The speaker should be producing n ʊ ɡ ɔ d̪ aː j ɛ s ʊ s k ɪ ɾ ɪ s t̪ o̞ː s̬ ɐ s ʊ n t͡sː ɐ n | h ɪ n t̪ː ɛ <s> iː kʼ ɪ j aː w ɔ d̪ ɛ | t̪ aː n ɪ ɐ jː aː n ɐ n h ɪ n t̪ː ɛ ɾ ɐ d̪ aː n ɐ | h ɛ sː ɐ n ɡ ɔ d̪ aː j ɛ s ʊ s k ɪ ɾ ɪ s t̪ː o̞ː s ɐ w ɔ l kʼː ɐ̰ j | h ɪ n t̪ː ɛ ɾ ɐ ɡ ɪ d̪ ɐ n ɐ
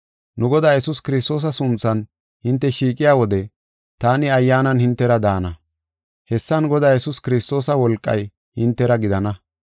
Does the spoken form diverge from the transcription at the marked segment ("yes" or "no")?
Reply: yes